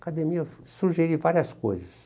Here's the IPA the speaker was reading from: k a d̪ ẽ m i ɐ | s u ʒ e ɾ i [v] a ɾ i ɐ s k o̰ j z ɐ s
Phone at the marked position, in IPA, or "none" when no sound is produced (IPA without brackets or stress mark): v